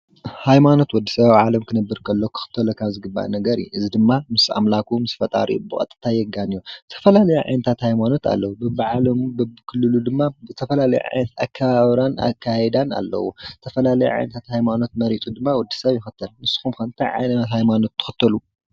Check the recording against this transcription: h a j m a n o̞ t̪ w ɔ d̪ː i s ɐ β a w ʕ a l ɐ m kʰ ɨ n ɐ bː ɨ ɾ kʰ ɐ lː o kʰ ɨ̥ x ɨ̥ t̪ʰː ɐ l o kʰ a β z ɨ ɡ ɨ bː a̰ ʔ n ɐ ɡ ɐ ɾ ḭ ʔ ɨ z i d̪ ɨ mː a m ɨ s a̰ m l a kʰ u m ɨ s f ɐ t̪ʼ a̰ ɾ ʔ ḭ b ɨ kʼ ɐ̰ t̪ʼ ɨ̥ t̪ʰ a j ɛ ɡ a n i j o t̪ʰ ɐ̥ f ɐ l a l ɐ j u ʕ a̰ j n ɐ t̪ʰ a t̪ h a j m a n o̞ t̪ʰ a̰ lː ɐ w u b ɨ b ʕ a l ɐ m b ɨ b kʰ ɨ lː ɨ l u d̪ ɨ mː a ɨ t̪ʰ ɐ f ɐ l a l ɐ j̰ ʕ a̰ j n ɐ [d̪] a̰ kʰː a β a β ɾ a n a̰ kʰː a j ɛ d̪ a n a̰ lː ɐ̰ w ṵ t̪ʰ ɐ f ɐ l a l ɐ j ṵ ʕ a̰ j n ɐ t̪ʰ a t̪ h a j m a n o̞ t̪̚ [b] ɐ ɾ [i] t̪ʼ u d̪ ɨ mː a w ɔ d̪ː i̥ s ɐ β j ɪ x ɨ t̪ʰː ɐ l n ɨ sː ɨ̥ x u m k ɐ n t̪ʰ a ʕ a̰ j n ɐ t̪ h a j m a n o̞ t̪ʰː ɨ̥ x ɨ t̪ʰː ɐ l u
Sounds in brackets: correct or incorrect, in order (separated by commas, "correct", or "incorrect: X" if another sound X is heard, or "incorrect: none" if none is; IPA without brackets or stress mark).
incorrect: t̪, incorrect: m, correct